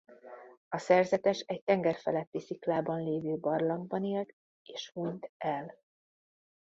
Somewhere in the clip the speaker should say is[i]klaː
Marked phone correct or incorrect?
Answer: correct